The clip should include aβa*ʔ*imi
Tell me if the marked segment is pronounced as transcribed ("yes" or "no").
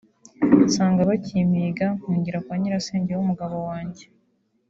no